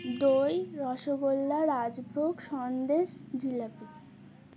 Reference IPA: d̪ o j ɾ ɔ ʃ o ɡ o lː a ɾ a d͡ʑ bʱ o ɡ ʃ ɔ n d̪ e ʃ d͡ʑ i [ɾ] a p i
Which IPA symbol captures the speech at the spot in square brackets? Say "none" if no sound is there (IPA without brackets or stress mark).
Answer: l